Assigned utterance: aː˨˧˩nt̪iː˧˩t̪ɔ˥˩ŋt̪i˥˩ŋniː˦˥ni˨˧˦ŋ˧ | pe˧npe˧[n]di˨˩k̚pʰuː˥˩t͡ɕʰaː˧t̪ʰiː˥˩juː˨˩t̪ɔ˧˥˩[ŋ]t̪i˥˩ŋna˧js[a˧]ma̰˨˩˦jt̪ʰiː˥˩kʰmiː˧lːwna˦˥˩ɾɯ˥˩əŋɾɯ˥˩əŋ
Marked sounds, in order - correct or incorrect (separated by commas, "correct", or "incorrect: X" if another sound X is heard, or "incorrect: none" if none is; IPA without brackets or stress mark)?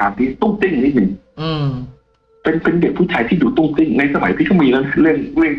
correct, correct, correct